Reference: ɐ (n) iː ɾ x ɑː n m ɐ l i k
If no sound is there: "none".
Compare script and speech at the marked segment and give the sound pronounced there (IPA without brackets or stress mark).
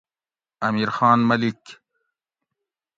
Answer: m